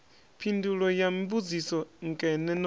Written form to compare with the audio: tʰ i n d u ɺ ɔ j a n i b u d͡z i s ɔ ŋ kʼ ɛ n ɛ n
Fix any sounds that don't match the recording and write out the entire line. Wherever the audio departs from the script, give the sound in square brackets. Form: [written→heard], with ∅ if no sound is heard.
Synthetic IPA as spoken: [tʰ→pʰ] i n d u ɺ ɔ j a [n→m] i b u d͡z i s ɔ ŋ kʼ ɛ n ɛ n